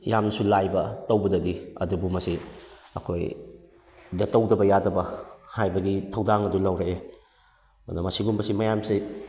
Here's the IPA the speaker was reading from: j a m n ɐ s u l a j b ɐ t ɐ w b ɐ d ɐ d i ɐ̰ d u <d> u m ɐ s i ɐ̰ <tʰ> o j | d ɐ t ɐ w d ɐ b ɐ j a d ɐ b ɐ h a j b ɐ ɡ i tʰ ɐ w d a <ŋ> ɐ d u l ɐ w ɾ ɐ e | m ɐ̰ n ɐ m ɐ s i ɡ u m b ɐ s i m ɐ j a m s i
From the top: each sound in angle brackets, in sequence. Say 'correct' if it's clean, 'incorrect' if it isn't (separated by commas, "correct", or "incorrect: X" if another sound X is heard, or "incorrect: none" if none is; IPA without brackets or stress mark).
incorrect: b, incorrect: kʰ, correct